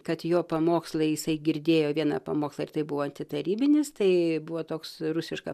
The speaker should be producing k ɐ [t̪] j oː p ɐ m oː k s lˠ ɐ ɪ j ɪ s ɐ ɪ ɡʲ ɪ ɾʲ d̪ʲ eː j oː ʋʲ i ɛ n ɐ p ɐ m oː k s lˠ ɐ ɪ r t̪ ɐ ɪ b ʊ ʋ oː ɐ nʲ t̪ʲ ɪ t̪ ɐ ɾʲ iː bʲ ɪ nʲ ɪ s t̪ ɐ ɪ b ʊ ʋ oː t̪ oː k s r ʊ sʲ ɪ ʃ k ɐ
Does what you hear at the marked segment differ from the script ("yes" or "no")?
no